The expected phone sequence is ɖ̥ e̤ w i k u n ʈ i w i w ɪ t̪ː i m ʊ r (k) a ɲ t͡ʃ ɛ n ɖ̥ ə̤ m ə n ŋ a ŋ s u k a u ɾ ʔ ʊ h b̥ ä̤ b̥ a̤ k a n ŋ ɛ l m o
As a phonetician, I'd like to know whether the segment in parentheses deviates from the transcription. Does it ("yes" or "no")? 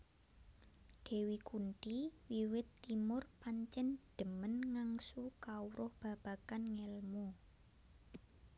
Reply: yes